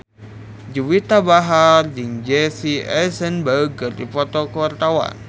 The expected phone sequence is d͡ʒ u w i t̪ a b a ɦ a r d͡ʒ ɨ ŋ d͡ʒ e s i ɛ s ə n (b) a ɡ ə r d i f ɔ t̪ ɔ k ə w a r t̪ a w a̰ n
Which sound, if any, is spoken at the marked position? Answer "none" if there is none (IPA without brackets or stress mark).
b